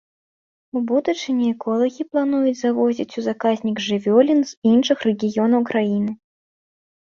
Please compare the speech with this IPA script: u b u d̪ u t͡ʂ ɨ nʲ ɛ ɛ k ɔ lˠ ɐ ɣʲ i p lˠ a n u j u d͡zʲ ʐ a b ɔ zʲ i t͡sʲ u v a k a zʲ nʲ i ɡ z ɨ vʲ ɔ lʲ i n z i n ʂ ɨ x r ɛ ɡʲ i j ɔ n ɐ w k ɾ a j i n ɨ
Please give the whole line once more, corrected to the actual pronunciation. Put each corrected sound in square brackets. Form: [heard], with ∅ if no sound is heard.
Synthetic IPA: u b u d̪ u t͡ʂ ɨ nʲ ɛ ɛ k ɔ lˠ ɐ ɣʲ i p lˠ a n u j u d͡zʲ [z] a [v] ɔ zʲ i t͡sʲ u [z] a k a zʲ nʲ i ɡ [ʐ] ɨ vʲ ɔ lʲ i n z i n ʂ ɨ x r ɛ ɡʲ i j ɔ n ɐ w k ɾ a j i n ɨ